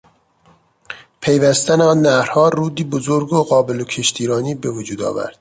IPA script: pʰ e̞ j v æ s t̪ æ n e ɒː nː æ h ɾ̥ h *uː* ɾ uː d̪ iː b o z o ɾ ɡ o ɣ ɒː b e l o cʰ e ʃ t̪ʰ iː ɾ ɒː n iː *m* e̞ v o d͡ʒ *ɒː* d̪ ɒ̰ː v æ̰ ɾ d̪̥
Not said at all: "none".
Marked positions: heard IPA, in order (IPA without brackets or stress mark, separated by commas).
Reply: ɒː, b, uː